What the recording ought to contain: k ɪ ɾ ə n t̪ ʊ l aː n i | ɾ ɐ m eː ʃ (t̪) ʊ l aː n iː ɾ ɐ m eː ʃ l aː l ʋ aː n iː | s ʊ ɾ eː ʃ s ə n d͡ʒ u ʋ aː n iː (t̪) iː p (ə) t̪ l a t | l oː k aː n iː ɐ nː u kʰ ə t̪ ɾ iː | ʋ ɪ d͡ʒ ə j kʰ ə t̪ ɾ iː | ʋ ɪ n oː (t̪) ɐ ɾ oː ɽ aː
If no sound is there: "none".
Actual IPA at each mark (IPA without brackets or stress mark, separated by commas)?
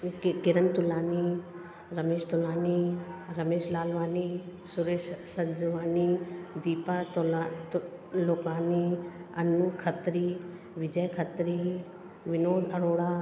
t̪, d̪, a, d̪